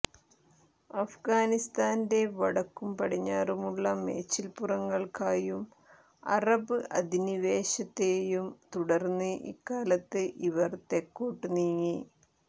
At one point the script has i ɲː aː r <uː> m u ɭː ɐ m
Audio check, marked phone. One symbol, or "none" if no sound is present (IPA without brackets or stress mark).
u